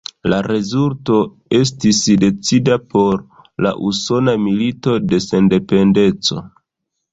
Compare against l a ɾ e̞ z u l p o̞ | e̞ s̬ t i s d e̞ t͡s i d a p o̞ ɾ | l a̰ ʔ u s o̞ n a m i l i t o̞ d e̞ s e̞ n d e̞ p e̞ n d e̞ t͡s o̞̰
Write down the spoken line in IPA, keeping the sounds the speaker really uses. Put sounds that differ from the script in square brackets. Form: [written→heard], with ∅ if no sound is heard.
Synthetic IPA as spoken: l a ɾ e̞ z u l [p→t] o̞ | e̞ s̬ t i s d e̞ t͡s i d a p o̞ ɾ | l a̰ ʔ u s o̞ n a m i l i t o̞ d e̞ s e̞ n d e̞ p e̞ n d e̞ t͡s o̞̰